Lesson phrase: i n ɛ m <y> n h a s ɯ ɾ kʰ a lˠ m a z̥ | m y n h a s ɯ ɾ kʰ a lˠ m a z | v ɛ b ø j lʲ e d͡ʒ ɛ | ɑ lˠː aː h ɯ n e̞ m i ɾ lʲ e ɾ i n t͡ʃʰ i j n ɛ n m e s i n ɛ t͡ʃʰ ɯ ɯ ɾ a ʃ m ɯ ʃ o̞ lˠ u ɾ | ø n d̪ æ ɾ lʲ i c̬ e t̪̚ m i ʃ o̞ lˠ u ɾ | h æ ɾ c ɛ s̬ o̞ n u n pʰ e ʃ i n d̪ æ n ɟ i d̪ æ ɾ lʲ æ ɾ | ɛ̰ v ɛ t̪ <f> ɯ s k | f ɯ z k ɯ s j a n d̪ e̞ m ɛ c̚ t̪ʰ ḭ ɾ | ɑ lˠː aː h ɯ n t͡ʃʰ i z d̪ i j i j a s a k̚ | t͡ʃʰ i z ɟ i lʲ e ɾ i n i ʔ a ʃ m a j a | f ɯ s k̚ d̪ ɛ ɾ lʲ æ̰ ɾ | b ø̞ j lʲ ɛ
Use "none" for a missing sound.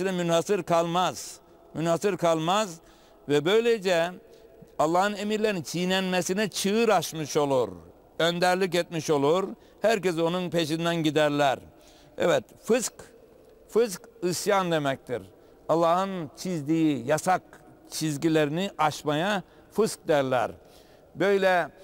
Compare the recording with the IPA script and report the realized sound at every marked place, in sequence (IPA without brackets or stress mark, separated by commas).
y, f